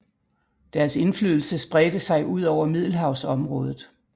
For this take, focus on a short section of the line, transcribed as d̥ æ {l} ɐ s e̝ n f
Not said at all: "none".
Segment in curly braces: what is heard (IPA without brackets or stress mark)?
none